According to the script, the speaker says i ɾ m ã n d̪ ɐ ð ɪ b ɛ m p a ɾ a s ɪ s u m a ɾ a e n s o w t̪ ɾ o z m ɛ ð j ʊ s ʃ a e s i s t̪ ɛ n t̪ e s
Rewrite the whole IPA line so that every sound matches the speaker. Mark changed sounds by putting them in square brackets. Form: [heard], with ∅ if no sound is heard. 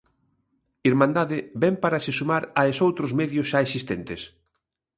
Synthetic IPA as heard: i ɾ m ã n d̪ [a] ð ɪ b ɛ m p a ɾ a s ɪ s u m a ɾ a e [∅] s o w t̪ ɾ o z m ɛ ð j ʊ s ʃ a e s i s t̪ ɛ n t̪ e s